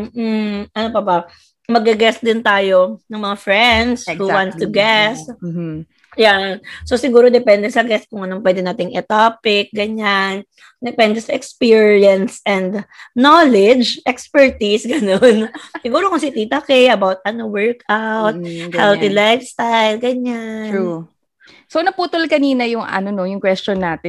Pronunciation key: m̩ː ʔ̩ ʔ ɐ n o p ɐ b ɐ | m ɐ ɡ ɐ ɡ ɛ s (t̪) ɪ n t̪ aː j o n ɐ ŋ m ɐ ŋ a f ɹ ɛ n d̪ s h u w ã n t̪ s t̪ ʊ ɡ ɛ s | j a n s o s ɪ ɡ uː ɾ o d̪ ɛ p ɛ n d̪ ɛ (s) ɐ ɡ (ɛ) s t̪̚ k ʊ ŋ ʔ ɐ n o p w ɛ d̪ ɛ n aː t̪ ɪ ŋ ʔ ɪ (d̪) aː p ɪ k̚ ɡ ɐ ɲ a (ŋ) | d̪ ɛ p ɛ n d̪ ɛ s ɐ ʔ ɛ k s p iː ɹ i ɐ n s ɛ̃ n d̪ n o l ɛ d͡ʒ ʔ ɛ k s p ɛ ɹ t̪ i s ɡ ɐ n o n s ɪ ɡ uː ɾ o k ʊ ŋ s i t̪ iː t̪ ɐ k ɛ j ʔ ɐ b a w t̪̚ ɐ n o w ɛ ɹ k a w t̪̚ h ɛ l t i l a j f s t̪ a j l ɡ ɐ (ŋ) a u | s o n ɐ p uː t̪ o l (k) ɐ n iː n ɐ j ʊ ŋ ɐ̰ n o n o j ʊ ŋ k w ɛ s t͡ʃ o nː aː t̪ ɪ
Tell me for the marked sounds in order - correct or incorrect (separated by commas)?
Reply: incorrect, correct, correct, incorrect, incorrect, incorrect, correct